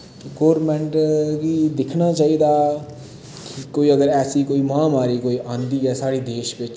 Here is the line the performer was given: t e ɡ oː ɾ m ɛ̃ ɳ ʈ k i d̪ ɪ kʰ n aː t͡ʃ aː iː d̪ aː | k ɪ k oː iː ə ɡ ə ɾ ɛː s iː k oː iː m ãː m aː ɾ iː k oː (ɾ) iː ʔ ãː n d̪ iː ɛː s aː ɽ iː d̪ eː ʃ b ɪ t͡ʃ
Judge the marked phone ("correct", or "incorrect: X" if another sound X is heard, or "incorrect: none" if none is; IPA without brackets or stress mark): incorrect: none